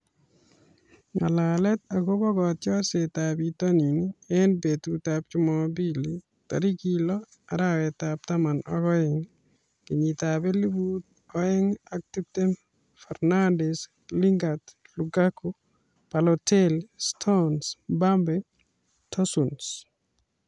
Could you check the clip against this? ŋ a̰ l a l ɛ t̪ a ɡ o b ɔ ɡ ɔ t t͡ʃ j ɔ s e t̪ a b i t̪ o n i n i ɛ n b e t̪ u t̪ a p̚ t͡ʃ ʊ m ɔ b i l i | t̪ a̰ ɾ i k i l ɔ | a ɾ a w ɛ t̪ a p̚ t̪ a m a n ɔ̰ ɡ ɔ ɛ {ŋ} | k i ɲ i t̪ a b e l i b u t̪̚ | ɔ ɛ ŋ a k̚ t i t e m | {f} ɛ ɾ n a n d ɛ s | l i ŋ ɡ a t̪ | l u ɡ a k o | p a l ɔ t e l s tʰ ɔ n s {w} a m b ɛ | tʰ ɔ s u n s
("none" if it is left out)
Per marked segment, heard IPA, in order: ŋ, f, b

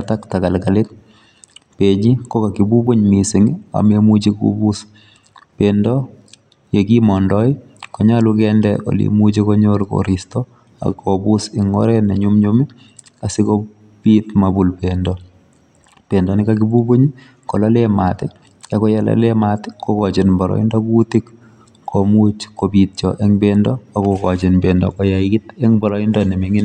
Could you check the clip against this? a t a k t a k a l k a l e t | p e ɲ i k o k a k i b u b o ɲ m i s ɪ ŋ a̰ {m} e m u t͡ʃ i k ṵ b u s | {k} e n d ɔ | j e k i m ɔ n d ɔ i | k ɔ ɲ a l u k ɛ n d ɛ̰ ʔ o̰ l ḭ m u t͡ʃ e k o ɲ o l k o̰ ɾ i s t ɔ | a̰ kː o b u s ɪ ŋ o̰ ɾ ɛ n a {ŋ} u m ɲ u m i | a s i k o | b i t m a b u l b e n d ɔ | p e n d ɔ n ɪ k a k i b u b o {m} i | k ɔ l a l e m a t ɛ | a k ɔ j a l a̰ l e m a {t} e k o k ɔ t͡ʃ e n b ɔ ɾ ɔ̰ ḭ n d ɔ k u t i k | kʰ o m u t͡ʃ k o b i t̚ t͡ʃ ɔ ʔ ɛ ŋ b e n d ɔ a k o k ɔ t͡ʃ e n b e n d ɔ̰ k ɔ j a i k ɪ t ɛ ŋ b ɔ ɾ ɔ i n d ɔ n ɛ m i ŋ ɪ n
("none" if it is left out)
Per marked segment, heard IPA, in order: m, p, ɲ, ɲ, t

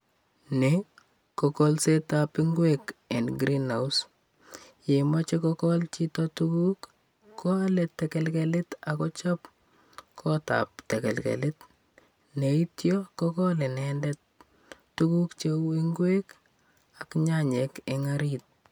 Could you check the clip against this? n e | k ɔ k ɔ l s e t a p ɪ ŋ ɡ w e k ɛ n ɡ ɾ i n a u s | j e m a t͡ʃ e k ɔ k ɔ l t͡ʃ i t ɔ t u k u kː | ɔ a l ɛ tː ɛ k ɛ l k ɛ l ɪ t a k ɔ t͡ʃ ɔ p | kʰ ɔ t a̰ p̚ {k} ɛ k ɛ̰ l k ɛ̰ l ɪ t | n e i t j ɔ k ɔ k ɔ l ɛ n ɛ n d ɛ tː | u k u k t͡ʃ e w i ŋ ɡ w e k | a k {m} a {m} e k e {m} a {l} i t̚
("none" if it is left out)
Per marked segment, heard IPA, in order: t, ɲ, ɲ, ŋ, ɾ

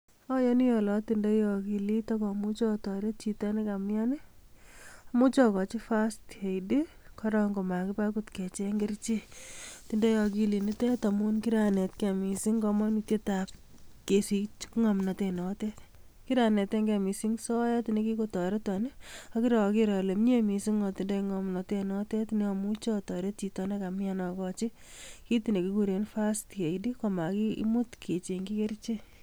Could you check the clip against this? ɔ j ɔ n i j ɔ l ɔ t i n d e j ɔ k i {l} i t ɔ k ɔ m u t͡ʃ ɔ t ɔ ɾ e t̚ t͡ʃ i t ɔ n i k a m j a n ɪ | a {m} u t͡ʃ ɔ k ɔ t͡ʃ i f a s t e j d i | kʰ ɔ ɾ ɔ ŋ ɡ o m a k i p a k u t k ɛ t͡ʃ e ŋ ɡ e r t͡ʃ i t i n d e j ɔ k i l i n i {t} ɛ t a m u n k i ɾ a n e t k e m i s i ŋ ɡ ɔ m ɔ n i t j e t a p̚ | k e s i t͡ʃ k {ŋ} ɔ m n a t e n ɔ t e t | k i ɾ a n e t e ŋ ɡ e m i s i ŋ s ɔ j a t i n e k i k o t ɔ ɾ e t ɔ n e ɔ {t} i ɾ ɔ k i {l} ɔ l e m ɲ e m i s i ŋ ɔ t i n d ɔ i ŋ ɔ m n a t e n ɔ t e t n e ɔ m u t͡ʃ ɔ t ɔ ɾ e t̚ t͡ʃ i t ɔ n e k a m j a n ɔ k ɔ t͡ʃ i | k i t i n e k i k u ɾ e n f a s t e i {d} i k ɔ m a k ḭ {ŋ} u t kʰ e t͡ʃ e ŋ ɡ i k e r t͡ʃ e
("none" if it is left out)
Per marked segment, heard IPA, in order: l, m, t, ŋ, k, ɾ, d, m

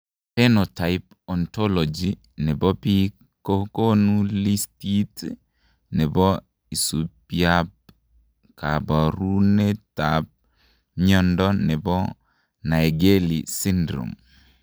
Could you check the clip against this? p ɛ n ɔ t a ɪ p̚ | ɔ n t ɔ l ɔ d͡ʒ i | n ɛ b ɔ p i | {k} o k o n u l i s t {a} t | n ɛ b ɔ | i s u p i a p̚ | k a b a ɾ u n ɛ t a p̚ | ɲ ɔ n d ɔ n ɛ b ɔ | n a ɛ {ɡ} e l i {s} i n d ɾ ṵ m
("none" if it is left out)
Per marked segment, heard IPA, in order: k, i, ɡ, s

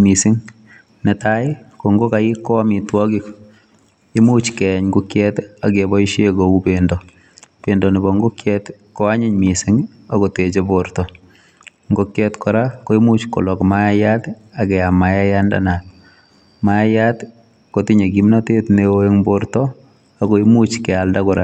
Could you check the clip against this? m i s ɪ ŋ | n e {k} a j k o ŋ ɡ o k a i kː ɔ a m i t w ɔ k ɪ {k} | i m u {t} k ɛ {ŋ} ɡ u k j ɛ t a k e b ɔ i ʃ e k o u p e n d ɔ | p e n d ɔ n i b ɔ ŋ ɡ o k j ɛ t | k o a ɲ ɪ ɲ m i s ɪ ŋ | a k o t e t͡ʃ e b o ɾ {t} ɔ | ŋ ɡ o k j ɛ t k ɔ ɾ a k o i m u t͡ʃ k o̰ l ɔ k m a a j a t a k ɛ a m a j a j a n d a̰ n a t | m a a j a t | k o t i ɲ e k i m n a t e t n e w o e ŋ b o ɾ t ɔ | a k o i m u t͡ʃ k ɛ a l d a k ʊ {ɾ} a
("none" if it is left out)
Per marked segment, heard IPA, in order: t, k, t͡ʃ, ɲ, t, ɾ

